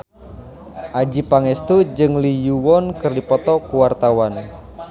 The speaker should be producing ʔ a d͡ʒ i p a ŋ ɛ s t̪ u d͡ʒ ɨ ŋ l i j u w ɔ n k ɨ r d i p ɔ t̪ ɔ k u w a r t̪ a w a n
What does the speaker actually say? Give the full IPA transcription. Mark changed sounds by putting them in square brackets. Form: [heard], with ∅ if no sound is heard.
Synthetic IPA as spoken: ʔ a d͡ʒ i p a ŋ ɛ s t̪ u d͡ʒ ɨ ŋ l i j u w ɔ n k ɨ r d i p ɔ t̪ ɔ k u w a r t̪ a w a n